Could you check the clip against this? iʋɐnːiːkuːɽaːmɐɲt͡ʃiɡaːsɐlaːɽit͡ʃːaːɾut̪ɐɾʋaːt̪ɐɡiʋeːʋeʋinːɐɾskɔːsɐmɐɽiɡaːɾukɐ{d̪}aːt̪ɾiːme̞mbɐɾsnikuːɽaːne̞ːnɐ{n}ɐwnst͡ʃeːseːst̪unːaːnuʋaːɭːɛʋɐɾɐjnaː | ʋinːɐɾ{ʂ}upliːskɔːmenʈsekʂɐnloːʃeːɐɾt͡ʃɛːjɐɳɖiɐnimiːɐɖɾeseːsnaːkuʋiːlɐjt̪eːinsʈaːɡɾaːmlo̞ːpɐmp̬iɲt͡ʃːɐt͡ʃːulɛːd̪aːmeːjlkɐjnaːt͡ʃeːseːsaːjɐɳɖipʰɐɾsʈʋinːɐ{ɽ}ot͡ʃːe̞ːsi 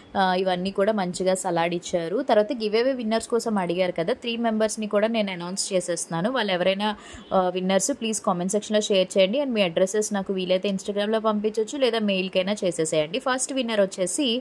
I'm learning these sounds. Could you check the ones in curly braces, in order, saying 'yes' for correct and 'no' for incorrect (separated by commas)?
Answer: yes, yes, no, no